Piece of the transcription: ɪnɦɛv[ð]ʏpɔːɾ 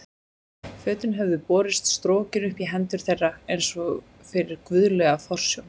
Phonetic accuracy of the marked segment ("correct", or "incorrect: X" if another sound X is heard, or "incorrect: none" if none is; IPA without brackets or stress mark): correct